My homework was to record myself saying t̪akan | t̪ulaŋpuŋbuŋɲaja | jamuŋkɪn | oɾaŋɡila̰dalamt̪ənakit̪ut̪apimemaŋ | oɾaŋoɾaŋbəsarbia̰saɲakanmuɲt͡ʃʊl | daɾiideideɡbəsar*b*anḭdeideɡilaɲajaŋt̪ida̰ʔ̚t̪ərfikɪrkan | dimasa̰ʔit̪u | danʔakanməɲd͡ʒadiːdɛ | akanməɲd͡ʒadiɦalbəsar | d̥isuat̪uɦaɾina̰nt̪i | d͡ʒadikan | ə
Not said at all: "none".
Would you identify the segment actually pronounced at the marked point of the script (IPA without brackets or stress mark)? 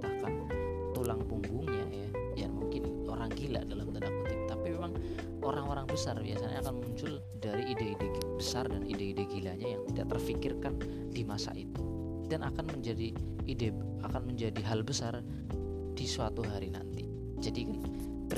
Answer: d